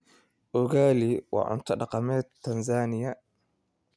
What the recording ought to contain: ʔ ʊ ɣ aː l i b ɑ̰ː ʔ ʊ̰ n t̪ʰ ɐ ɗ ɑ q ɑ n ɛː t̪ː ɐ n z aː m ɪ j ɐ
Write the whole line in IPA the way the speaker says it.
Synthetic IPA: ʔ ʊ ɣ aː l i w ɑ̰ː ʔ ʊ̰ n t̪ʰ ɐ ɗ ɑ q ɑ m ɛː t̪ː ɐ n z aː n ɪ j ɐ